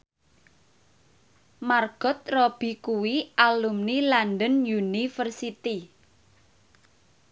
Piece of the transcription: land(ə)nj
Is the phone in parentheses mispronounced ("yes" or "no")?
no